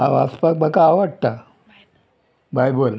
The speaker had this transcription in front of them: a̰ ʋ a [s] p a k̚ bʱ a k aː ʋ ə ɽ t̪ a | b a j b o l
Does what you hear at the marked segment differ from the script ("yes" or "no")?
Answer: no